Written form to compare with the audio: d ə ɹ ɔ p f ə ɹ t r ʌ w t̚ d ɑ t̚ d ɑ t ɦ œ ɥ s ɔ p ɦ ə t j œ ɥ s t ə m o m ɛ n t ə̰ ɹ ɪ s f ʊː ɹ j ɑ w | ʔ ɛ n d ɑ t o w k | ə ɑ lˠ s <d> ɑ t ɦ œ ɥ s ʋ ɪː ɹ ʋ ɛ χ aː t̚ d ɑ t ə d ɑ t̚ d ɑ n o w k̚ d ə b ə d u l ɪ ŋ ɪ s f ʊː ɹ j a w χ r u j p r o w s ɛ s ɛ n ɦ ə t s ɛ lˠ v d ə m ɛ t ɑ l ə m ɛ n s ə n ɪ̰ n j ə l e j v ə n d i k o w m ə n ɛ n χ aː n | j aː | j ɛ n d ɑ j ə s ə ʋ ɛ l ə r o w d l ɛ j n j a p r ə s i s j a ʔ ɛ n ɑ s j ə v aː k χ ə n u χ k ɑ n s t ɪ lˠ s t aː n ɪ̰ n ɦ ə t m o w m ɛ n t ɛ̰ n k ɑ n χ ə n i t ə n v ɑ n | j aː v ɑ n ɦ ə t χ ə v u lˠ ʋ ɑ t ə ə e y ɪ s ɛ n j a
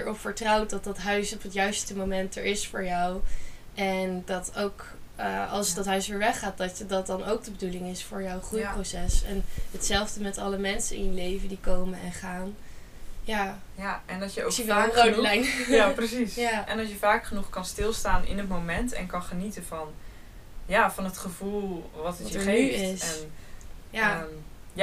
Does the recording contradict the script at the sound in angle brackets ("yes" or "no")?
no